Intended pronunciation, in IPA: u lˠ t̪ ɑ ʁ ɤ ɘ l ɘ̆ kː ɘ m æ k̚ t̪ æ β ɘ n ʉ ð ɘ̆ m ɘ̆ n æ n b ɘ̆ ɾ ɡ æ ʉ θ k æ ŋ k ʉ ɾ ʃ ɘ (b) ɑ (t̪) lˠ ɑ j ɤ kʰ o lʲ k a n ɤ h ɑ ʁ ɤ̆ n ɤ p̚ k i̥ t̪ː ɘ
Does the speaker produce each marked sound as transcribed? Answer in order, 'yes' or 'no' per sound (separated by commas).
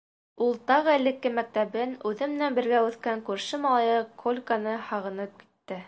no, no